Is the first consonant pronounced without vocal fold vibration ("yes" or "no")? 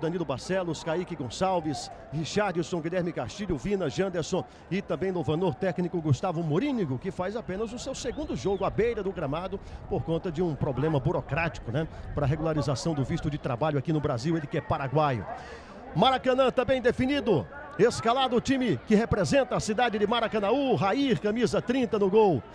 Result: no